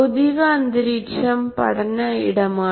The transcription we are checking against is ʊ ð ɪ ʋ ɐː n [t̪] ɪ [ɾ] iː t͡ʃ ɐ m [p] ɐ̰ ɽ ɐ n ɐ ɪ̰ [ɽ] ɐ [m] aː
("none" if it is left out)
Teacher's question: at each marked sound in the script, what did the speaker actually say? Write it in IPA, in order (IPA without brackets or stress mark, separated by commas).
d̪, ɾ, p, ɽ, m